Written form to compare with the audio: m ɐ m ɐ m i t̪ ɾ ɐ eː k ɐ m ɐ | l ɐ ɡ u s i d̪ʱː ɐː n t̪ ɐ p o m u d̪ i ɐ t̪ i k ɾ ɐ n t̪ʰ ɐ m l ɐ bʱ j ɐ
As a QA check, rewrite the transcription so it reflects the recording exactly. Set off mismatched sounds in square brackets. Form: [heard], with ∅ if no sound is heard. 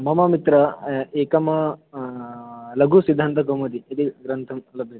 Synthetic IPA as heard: m ɐ m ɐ m i t̪ ɾ ɐ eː k ɐ m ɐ | l ɐ ɡ u s i d̪ʱː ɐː n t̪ ɐ [k] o m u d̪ i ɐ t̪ i [ɡ] ɾ ɐ n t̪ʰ ɐ m l ɐ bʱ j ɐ